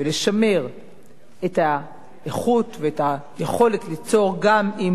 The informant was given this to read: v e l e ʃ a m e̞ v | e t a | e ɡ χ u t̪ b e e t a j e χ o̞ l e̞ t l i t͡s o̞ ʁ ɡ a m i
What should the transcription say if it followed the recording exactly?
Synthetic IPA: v e l e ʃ a m e̞ ʁ | e t a | e χ u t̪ v e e t a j e χ o̞ l e̞ t l i t͡s o̞ ʁ ɡ a m i